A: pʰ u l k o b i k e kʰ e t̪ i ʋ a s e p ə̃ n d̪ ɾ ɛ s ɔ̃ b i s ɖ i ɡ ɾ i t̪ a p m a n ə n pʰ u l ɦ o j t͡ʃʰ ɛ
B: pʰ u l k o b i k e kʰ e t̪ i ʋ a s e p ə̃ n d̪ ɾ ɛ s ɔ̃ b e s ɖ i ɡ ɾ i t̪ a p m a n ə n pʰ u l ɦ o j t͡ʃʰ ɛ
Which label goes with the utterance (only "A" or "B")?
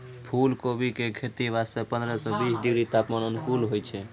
A